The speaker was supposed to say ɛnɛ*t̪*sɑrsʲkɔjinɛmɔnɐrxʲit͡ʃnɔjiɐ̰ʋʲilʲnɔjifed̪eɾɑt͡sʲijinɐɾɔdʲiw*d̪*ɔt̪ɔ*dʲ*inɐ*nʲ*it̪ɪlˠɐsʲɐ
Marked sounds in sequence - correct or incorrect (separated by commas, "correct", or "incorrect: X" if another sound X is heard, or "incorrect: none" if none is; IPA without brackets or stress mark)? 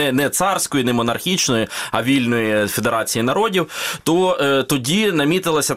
correct, incorrect: t̪, correct, incorrect: mʲ